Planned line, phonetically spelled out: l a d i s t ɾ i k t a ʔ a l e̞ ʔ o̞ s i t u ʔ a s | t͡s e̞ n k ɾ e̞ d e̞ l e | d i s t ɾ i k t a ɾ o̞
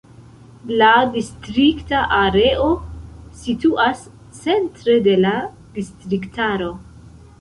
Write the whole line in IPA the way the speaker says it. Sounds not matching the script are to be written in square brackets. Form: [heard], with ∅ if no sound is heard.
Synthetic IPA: l a d i s t ɾ i k t a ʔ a [ɾ] e̞ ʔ o̞ s i t u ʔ a s | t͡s e̞ n [t] ɾ e̞ d e̞ l [a] | d i s t ɾ i k t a ɾ o̞